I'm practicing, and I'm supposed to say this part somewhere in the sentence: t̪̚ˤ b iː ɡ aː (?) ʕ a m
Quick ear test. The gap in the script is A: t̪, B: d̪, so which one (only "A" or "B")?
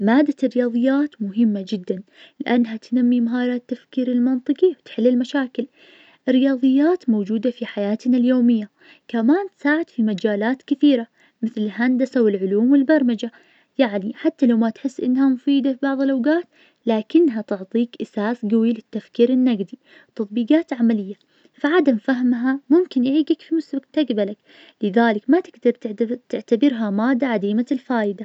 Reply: A